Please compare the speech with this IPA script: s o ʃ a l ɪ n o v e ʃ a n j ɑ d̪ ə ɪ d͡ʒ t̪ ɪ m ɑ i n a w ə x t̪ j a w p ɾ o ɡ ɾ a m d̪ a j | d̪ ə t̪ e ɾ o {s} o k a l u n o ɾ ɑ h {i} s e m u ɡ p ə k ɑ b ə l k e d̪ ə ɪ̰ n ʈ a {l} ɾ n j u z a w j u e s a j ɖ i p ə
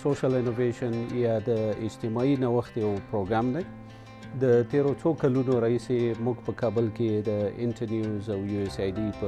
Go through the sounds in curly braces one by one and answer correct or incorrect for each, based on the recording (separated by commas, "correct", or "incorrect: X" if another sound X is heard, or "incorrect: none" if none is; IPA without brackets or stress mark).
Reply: incorrect: t͡s, correct, incorrect: none